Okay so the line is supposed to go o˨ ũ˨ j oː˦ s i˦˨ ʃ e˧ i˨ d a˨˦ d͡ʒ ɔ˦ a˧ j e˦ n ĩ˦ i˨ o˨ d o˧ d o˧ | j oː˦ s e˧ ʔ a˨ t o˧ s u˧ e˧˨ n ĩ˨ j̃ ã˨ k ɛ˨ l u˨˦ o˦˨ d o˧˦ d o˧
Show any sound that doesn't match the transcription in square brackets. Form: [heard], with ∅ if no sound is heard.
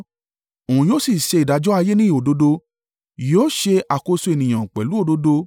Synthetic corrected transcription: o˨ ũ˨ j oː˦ s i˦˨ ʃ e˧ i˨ d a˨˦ d͡ʒ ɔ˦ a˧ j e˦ n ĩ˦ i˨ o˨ d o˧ d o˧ | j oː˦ [ʃ] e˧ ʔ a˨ [k] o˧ s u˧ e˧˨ n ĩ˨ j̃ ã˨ [k͡p] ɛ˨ l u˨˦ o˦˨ d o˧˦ d o˧